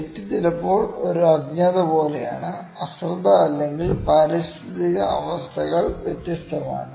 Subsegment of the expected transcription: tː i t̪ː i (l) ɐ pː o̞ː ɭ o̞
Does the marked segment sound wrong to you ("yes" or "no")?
no